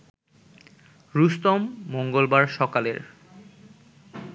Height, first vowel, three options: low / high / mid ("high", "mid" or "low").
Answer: high